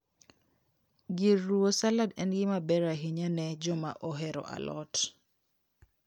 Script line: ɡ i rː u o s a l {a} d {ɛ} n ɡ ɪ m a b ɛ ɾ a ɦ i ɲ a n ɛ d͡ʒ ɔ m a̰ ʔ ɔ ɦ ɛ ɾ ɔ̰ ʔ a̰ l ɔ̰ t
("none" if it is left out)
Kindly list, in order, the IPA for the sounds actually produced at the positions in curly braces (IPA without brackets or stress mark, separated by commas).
a, ɛ